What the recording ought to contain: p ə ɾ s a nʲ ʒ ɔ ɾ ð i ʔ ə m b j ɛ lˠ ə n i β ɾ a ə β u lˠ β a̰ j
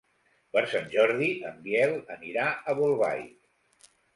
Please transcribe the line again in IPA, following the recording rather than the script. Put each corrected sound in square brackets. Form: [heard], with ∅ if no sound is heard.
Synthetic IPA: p ə ɾ s a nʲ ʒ ɔ ɾ ð i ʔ ə m b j ɛ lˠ ə n i [∅] ɾ a ə β u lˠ β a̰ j